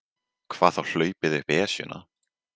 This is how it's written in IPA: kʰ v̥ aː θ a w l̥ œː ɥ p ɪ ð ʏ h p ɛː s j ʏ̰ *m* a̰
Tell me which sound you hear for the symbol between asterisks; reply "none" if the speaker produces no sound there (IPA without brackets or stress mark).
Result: n